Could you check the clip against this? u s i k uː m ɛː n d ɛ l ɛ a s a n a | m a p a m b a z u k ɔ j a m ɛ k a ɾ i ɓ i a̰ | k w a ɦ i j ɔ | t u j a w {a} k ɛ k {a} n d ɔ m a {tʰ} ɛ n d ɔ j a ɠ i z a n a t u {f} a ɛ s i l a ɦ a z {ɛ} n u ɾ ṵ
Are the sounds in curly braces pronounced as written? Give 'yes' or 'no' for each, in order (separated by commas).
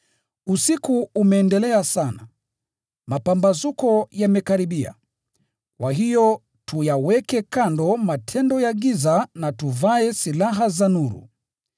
no, yes, yes, no, no